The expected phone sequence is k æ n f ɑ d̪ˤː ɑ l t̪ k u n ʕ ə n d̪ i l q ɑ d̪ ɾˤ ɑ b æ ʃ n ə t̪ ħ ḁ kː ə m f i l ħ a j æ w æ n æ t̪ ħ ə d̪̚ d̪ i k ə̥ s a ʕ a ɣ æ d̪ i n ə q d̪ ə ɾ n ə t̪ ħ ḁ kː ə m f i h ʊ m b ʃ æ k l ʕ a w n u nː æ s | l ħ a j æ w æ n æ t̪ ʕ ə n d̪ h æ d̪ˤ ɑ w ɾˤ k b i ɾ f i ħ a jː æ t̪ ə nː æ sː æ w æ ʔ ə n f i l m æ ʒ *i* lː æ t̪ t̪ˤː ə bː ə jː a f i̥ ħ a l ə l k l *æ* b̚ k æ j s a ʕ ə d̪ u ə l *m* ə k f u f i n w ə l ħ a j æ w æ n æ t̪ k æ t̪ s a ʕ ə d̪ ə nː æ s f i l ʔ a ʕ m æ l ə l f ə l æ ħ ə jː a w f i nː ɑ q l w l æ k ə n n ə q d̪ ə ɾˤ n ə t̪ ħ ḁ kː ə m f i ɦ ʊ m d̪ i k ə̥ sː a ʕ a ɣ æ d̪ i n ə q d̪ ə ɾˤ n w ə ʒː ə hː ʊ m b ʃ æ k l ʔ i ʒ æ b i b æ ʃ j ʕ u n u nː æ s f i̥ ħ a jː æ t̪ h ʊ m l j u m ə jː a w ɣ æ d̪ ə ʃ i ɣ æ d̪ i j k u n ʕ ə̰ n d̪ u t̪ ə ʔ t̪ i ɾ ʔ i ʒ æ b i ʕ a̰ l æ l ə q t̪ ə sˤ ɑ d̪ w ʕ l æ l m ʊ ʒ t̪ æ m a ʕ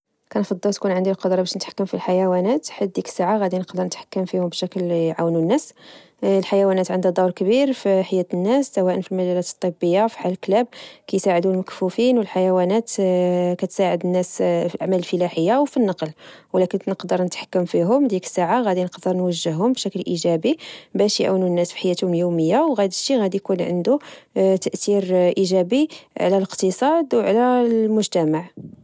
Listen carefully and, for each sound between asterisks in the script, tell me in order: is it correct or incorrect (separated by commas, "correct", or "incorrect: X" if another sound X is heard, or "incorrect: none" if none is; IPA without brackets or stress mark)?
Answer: incorrect: æ, correct, correct